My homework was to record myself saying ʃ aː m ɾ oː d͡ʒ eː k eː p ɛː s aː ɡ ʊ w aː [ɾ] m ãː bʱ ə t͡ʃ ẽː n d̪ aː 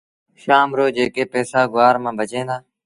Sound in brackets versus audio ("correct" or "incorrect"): correct